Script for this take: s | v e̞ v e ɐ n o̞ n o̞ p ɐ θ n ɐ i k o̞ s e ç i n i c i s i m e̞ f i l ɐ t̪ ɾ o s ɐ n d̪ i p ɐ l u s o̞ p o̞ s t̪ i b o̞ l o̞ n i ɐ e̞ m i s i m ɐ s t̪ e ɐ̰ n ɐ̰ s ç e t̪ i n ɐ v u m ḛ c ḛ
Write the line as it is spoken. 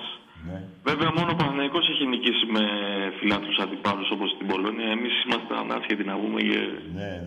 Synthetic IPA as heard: s | v e̞ v e ɐ m o̞ n o̞ p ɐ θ n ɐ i k o̞ s e ç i n i c i s i m e̞ f i l ɐ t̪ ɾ u s ɐ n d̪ i p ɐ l u s o̞ p o̞ s t̪ i b o̞ l o̞ n i ɐ e̞ m i s i m ɐ s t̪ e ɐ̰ n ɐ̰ s ç e t̪ i n ɐ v u m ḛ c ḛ